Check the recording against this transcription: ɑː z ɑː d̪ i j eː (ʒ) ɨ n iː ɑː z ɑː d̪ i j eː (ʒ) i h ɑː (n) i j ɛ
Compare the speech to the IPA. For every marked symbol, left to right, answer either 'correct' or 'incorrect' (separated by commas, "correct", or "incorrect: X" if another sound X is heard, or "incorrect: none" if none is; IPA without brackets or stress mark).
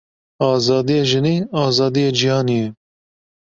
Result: correct, incorrect: d͡ʒ, correct